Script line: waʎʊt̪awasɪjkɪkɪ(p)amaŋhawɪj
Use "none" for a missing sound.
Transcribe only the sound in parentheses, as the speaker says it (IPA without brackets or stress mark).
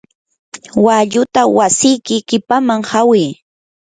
p